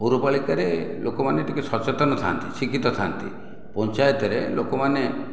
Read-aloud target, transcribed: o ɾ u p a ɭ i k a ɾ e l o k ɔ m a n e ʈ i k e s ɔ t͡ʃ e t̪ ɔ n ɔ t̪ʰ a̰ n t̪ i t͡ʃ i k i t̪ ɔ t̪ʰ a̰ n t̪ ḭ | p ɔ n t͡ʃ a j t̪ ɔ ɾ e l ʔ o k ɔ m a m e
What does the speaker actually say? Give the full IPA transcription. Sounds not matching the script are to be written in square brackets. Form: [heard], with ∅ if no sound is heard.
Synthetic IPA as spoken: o ɾ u p a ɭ i k a ɾ e l o k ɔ m a n e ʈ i k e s ɔ t͡ʃ e t̪ ɔ n ɔ t̪ʰ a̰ n t̪ i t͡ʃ i k i t̪ ɔ t̪ʰ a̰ n t̪ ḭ | p ɔ n t͡ʃ a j t̪ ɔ ɾ e l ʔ o k ɔ m a [n] e